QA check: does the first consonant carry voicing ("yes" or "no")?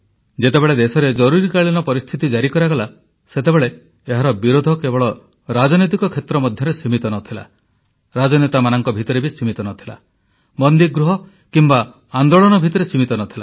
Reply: yes